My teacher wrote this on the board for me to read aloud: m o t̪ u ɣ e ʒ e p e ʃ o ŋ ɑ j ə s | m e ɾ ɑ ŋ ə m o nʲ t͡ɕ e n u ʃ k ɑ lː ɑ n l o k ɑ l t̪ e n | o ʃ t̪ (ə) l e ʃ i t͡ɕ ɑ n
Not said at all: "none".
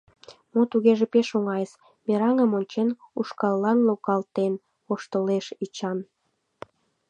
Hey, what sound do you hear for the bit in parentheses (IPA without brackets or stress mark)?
ə